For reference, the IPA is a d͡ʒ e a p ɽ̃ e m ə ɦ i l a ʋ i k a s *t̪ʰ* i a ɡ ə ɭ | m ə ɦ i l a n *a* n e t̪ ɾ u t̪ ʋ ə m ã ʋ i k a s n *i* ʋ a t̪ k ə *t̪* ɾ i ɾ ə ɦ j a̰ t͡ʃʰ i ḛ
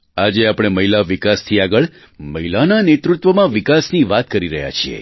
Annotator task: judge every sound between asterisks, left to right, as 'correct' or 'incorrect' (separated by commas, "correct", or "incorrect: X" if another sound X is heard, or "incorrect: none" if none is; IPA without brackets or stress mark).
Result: correct, correct, correct, incorrect: none